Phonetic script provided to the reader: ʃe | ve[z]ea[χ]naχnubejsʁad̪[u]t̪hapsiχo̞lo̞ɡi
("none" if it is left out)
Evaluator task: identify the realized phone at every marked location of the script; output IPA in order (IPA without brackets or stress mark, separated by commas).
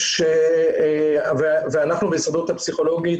v, none, u